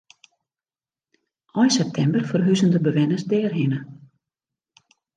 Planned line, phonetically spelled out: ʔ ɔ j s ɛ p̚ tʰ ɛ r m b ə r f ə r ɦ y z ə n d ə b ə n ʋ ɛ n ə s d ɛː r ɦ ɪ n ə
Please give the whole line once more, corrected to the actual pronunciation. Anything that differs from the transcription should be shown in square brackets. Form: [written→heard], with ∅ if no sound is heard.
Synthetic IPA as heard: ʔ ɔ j s ɛ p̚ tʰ ɛ [r→∅] m b ə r f ə r ɦ y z ə n d ə b ə [n→∅] ʋ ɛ n ə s d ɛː r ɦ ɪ n ə